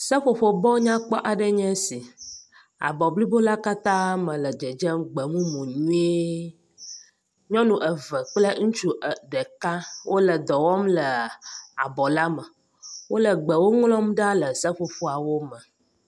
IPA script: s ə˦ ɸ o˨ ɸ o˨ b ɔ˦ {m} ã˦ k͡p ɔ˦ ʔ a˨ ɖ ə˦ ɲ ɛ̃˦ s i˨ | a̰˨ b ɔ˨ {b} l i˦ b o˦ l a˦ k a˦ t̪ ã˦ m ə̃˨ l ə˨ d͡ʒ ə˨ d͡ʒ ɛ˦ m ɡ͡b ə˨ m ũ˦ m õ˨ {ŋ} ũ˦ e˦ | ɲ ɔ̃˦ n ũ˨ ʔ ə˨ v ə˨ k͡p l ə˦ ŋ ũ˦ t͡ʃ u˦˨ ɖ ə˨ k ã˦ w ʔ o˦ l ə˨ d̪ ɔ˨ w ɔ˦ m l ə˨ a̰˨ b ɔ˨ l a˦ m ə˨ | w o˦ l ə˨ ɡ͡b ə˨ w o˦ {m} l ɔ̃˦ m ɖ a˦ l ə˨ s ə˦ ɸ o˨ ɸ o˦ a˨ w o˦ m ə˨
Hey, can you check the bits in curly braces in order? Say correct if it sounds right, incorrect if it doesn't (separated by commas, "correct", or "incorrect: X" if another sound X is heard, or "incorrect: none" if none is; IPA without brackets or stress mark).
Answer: incorrect: ɲ, correct, incorrect: ɲ, incorrect: ŋ